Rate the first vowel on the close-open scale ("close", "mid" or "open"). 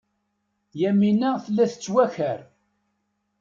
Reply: open